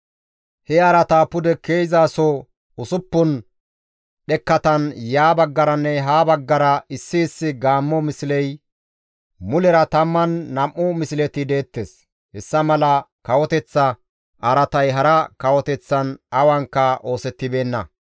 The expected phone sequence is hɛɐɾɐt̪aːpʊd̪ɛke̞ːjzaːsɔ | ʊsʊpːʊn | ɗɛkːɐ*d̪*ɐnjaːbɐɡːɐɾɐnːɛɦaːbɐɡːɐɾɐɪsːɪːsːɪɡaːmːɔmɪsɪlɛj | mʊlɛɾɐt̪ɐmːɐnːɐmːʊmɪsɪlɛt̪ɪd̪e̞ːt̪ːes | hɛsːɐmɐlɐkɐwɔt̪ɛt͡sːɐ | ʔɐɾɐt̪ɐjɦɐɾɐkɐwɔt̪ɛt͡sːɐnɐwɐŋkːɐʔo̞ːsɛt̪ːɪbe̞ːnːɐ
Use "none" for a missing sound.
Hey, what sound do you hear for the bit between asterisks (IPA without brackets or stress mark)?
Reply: t̪